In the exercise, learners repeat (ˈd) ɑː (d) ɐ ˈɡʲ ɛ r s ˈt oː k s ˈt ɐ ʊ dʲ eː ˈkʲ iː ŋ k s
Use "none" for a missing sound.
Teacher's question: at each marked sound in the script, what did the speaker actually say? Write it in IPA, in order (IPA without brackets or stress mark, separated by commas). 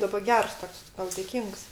d, b